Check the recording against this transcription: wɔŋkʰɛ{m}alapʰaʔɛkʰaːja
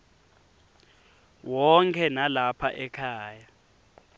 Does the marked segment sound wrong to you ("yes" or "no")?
yes